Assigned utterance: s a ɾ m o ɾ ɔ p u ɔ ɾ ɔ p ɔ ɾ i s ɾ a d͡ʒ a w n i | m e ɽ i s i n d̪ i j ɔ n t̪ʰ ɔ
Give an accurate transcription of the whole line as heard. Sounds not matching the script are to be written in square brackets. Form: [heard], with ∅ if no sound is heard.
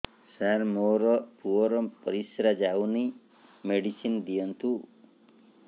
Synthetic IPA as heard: s a ɾ m o ɾ ɔ p u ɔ ɾ ɔ p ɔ ɾ i s ɾ a d͡ʒ a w n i | m e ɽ i s i n d̪ i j ɔ n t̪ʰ [u]

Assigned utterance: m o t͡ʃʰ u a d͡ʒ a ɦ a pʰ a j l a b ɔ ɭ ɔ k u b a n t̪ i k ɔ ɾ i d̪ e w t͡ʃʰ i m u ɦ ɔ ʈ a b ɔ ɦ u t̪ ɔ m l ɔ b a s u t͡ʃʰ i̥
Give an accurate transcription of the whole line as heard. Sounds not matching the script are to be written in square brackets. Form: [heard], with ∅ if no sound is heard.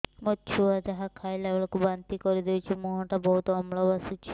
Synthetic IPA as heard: m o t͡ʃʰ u a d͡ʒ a ɦ a [kʰ] a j l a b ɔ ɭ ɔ k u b a n t̪ i k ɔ ɾ i d̪ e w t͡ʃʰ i m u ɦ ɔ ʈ a b ɔ ɦ u t̪ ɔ m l ɔ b a s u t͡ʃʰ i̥

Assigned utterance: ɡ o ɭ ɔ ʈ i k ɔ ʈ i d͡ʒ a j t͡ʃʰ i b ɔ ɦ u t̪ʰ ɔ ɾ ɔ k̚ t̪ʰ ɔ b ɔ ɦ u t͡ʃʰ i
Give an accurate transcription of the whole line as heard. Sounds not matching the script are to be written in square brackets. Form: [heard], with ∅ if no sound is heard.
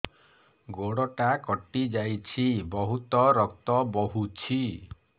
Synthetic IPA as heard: ɡ o [ɽ] ɔ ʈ [a] k ɔ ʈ i d͡ʒ a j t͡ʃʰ i b ɔ ɦ u [t̪] ɔ ɾ ɔ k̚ [t̪] ɔ b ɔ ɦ u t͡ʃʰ i

